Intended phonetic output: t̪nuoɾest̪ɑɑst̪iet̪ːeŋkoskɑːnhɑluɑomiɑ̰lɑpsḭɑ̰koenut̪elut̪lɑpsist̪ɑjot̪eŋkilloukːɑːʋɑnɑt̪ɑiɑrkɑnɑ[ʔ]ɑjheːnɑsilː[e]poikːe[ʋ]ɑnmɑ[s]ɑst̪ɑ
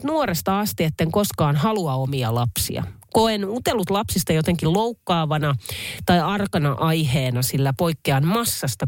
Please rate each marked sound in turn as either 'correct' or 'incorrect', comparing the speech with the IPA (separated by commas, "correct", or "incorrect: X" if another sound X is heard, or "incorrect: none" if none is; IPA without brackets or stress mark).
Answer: correct, incorrect: æ, incorrect: none, incorrect: sː